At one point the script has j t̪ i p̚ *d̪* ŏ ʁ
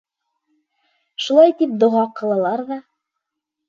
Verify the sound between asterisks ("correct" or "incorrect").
correct